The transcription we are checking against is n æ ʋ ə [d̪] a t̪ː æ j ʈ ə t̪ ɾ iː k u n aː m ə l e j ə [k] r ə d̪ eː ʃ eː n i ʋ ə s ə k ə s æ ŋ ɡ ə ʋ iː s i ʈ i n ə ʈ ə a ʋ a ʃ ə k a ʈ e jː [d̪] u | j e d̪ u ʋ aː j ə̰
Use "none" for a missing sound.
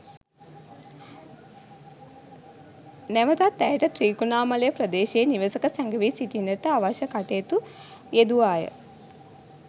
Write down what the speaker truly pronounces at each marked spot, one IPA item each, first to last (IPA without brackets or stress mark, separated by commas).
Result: t̪, p, t̪